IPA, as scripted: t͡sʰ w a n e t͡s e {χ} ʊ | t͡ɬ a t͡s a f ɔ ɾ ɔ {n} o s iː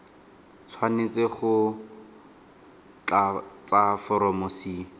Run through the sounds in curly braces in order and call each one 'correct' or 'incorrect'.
correct, incorrect: m

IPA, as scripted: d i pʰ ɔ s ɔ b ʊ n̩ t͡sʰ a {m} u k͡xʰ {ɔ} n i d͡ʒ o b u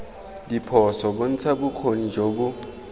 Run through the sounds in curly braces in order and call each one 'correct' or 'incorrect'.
incorrect: b, incorrect: o

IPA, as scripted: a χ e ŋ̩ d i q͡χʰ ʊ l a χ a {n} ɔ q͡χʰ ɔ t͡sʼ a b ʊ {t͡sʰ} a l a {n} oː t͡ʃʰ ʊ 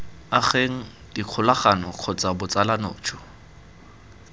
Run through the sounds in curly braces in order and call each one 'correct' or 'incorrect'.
correct, incorrect: t͡s, correct

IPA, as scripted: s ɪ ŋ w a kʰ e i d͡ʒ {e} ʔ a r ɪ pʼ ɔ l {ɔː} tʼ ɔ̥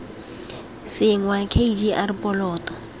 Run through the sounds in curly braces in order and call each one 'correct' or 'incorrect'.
incorrect: i, correct

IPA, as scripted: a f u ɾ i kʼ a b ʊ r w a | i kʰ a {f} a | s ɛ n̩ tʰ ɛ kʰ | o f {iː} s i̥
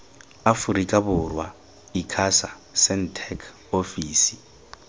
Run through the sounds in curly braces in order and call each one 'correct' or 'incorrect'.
incorrect: s, correct

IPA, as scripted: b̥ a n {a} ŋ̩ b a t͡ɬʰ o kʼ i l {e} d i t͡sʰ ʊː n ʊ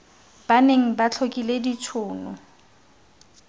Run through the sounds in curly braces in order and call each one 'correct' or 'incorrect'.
incorrect: e, correct

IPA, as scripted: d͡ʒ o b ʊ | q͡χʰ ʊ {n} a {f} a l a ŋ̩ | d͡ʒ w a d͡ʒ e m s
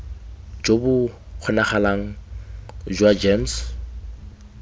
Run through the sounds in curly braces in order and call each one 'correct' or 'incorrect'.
correct, incorrect: χ

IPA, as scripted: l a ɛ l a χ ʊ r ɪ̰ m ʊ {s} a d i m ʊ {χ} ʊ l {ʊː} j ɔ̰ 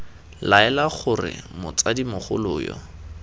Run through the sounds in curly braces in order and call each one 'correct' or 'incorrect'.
incorrect: t͡s, correct, correct

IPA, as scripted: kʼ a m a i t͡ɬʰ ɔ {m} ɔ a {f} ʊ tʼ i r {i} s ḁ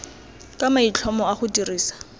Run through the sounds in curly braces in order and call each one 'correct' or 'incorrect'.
correct, incorrect: χ, incorrect: iː

